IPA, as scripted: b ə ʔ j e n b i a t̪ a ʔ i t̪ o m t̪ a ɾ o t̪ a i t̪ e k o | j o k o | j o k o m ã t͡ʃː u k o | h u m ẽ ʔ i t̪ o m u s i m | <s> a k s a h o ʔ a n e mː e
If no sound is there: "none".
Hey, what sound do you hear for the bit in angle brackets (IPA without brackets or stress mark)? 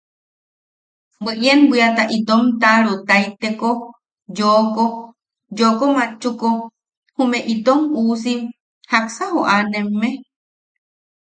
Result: h